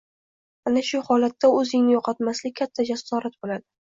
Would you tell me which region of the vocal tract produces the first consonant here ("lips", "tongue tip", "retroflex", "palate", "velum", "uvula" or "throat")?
tongue tip